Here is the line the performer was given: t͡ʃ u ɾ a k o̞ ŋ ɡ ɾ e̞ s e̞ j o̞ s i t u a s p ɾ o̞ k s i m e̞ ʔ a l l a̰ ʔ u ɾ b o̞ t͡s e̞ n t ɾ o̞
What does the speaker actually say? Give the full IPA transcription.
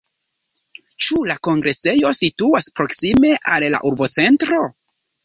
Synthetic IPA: t͡ʃ u l a k o̞ ŋ ɡ ɾ e̞ s e̞ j o̞ s i t u a s p ɾ o̞ k s i m e̞ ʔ a l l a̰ ʔ u ɾ b o̞ t͡s e̞ n t ɾ o̞